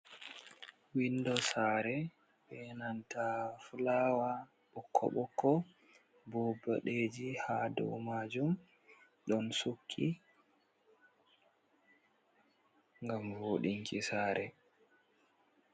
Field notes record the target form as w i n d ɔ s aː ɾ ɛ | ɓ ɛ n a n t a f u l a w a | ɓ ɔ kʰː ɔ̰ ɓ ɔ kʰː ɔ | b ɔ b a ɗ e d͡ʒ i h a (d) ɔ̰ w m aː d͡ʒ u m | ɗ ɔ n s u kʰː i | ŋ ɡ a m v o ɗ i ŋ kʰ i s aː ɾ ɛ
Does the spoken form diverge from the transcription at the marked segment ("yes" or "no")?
no